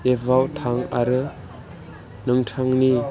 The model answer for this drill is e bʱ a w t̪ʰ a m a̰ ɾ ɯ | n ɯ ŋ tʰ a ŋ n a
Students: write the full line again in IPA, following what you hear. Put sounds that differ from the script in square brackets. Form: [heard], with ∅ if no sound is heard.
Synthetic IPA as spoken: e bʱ a w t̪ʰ a [ŋ] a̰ ɾ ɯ | n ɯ ŋ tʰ a ŋ n [i]